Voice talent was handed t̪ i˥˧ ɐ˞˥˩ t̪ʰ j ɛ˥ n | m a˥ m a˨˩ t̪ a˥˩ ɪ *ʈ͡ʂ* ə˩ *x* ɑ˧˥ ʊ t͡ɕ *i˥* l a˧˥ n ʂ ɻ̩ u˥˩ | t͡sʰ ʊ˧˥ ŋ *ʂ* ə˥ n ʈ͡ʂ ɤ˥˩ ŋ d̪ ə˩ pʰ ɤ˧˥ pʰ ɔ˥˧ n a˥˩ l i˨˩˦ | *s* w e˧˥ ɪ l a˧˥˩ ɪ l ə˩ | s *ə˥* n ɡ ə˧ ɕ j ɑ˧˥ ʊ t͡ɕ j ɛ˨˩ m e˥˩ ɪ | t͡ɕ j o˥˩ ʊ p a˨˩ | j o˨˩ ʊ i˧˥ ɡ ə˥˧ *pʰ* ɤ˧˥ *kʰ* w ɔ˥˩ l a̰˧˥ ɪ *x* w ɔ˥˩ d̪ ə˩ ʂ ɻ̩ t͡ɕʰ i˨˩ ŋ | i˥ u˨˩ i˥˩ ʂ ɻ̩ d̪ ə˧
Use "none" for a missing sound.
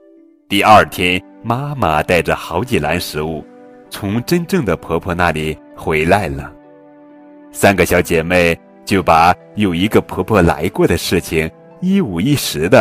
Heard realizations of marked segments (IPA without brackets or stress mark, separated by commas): ʈ͡ʂ, x, i˨˩, ʈ͡ʂ, x, a˥, pʰ, pʰ, k